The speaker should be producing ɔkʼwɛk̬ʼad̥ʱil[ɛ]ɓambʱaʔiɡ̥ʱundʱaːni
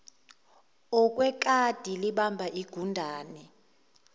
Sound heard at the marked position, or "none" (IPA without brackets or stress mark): i